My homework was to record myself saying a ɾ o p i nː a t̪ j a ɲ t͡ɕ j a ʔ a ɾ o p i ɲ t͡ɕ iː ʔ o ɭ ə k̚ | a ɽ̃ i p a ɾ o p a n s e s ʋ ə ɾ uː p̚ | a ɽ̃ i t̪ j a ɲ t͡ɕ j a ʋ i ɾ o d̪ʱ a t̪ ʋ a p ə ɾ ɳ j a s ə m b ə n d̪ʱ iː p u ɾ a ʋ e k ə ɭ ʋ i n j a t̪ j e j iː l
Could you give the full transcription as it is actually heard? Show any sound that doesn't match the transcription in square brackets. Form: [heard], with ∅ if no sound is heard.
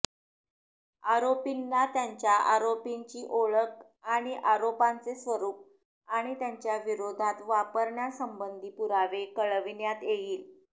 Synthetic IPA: a ɾ o p i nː a t̪ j a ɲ t͡ɕ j a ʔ a ɾ o p i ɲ t͡ɕ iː ʔ o ɭ ə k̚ | a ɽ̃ i [ʔ] a ɾ o p a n [t͡s] e s ʋ ə ɾ uː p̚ | a ɽ̃ i t̪ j a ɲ t͡ɕ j a ʋ i ɾ o d̪ʱ a t̪ ʋ a p ə ɾ ɳ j a s ə m b ə n d̪ʱ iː p u ɾ a ʋ e k ə ɭ ʋ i n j a t̪ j e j iː l